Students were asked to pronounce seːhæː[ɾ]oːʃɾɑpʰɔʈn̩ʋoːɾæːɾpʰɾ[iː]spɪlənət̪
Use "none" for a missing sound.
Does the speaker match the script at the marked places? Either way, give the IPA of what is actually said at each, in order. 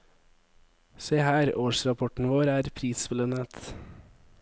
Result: ɾ, iː

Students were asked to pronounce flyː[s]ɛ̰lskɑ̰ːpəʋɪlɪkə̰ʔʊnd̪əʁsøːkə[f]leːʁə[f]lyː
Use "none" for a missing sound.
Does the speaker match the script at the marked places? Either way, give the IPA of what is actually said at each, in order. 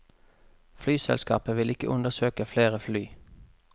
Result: s, f, f

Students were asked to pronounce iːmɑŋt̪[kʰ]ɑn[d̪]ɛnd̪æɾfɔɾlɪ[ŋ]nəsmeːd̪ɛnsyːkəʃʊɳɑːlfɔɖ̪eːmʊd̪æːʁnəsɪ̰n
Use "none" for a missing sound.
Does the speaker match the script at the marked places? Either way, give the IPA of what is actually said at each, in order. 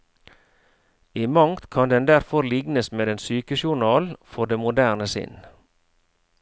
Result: kʰ, d̪, ɡ

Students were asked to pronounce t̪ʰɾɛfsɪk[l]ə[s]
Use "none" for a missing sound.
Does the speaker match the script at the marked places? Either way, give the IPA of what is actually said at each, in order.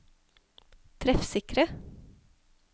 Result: ɾ, none

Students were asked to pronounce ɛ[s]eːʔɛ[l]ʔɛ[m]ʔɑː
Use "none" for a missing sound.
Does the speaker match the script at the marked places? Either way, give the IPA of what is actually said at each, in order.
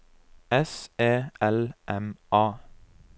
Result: s, l, m

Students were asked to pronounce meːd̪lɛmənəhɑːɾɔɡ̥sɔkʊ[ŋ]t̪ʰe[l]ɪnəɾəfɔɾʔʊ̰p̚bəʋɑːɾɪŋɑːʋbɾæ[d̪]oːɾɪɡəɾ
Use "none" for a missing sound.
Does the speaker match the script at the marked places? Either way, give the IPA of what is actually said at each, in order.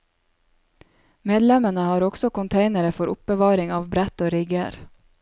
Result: n, none, t̪

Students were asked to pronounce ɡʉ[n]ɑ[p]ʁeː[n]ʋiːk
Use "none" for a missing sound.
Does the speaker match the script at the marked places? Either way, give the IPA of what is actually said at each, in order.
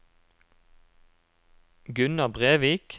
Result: n, b, none

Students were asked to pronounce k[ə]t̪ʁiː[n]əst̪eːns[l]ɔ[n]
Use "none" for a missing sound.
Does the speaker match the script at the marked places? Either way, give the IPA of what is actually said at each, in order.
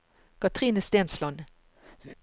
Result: ɑ, n, l, n

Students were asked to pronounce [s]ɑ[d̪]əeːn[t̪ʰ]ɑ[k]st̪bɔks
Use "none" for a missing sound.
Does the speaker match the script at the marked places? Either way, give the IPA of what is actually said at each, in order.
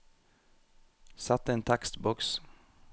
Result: s, t̪, t̪ʰ, k

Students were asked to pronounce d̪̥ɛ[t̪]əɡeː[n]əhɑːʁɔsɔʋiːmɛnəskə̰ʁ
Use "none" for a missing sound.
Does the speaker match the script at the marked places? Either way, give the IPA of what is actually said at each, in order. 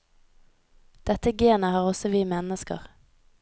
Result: t̪, n

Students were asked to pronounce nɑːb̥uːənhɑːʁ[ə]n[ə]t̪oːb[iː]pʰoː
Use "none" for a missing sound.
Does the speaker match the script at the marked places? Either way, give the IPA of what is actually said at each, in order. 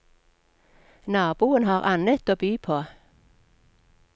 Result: ɑ, ə, yː

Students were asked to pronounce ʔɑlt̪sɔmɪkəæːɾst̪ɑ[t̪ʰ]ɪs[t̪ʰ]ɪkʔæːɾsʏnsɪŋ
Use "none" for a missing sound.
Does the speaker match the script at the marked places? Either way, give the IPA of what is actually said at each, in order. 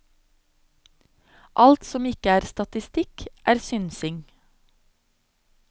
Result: t̪, t̪

